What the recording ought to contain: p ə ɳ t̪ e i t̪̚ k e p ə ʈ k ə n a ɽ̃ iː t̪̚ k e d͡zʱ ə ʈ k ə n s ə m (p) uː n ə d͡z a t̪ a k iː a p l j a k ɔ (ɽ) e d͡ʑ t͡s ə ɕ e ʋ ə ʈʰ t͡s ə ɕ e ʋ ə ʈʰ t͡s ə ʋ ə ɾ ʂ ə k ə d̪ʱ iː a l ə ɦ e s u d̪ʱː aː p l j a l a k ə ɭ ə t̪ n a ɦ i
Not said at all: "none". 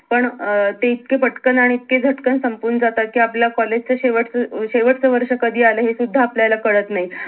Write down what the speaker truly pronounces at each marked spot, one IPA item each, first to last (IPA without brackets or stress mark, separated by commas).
p, l